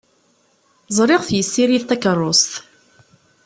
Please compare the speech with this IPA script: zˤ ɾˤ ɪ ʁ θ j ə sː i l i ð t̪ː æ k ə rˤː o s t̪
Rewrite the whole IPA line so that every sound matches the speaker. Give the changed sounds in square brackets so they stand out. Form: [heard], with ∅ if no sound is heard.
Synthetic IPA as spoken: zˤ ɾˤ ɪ ʁ θ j ə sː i [ɾ] i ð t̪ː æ k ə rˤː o s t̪